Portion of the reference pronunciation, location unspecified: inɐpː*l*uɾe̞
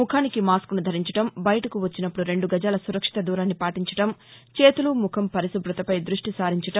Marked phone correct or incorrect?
incorrect